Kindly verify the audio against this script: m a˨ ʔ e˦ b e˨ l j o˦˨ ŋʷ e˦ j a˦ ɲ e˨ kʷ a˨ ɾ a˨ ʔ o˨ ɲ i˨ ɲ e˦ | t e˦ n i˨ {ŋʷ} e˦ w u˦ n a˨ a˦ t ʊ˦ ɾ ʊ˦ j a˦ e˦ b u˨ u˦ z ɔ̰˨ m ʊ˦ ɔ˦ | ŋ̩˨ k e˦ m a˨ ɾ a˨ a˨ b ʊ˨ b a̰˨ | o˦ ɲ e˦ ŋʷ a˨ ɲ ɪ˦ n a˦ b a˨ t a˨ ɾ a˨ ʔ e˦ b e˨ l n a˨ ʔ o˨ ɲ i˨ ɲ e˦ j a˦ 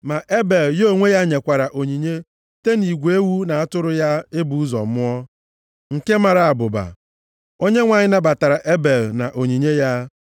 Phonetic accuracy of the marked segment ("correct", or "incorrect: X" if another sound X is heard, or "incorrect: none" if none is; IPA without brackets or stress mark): incorrect: ɡʷ